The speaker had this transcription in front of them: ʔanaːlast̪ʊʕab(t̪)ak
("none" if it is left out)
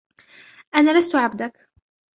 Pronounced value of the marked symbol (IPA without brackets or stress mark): d̪